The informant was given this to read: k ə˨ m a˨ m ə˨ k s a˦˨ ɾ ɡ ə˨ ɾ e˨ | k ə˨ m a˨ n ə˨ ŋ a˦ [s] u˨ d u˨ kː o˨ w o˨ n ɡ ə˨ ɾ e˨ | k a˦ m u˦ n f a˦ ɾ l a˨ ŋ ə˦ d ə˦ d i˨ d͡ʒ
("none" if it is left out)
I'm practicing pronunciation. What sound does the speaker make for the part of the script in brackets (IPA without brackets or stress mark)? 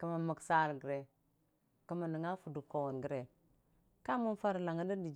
f